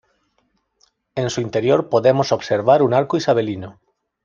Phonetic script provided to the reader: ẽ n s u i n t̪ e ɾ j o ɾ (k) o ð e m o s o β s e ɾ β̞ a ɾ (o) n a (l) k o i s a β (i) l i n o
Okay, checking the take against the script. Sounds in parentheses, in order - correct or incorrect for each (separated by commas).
incorrect, incorrect, incorrect, incorrect